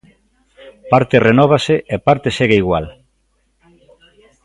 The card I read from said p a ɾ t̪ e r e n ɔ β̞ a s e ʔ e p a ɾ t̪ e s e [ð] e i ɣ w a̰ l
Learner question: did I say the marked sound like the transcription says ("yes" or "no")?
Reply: no